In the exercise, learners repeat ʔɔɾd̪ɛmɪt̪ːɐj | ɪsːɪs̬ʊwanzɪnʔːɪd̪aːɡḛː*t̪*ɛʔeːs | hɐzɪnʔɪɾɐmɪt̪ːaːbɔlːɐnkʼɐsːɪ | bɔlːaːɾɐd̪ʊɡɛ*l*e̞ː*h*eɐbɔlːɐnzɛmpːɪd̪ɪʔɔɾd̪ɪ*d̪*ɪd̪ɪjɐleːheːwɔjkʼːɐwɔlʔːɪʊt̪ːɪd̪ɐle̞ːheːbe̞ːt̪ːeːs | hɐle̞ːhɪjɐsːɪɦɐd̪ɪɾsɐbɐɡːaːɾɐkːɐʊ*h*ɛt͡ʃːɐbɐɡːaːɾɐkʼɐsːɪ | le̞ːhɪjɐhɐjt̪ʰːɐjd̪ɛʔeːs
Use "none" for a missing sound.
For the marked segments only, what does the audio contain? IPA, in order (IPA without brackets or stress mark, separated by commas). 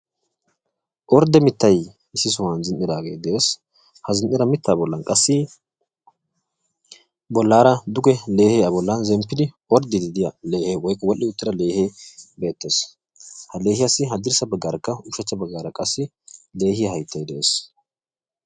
d̪, l, h, d̪, ʃ